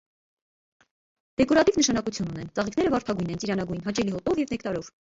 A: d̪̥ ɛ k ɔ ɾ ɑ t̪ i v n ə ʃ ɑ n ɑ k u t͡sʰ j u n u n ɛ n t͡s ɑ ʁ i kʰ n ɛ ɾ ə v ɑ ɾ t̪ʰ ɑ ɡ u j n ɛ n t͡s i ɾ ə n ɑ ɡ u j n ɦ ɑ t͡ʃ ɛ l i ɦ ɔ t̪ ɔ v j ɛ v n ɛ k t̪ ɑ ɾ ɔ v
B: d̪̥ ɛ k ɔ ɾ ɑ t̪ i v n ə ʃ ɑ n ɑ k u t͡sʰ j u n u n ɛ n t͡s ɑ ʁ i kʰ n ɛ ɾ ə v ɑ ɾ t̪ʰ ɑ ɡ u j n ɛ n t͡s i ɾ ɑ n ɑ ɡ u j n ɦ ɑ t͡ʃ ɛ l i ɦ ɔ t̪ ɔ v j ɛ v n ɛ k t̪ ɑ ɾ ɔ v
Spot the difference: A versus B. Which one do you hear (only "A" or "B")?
B